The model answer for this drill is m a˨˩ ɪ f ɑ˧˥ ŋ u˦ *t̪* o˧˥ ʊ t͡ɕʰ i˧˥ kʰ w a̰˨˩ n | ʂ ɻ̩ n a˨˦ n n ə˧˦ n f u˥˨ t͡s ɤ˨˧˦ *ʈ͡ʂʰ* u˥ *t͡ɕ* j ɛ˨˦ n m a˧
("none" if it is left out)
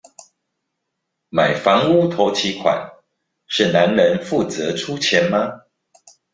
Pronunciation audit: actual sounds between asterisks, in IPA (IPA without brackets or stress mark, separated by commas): t̪ʰ, ʈ͡ʂʰ, t͡ɕʰ